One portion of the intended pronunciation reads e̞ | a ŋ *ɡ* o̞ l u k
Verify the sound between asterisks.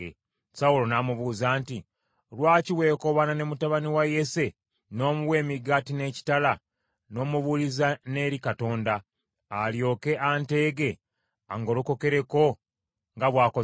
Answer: correct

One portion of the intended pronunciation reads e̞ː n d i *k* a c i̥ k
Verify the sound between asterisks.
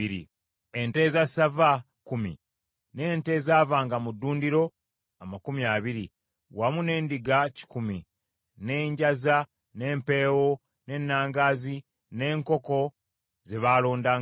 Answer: incorrect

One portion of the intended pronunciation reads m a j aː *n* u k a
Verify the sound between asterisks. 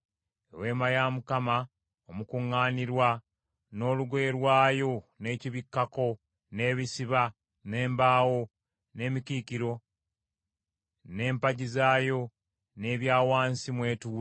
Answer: incorrect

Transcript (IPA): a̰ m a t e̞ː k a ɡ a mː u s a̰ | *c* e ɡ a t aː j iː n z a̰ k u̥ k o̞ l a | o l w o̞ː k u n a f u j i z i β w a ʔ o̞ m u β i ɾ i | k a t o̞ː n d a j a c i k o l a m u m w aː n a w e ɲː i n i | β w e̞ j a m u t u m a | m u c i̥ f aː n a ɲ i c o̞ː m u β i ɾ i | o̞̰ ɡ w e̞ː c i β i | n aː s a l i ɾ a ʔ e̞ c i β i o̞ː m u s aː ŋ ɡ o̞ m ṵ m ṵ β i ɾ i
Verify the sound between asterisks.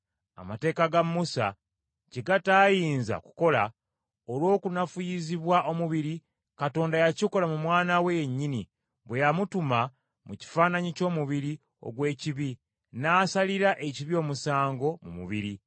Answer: correct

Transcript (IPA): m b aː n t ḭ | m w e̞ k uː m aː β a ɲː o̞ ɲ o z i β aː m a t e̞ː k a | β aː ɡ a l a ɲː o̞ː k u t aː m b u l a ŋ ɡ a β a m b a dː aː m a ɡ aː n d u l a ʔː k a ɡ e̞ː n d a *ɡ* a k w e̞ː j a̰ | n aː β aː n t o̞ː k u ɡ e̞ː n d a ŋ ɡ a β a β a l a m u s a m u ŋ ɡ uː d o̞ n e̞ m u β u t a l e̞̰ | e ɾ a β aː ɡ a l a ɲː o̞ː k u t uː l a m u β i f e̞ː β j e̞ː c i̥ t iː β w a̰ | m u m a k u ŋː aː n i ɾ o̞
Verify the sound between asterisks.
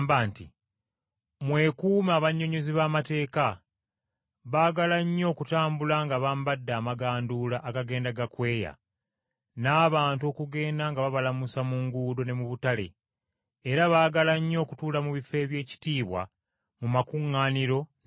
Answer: correct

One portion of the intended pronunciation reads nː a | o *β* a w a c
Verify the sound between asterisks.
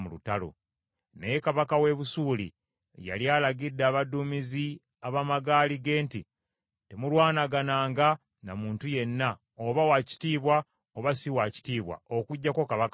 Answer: correct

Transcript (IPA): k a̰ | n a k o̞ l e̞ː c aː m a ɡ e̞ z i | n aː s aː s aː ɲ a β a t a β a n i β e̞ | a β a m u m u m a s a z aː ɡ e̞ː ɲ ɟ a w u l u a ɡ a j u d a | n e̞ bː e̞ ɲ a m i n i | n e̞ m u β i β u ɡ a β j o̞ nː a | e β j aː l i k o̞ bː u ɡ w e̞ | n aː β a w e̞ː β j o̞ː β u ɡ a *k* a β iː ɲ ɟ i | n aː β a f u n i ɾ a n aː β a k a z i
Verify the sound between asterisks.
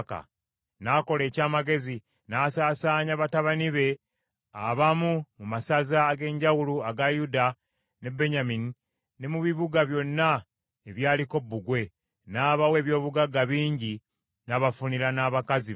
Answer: incorrect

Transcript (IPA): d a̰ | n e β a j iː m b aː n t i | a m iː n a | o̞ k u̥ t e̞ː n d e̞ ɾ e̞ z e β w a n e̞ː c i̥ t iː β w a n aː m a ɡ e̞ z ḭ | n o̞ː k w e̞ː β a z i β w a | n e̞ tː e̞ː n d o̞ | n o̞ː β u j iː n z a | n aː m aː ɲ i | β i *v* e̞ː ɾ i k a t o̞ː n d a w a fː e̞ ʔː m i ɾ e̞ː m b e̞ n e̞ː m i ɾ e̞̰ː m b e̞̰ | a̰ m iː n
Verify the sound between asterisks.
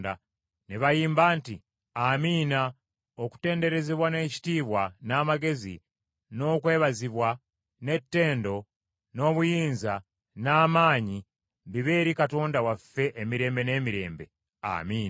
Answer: incorrect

